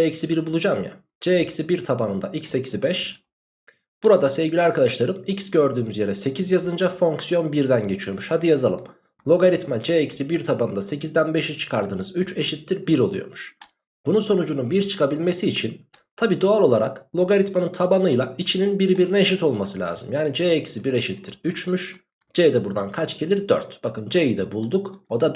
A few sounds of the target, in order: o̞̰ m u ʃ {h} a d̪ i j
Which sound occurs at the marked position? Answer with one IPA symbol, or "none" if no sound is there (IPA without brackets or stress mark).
h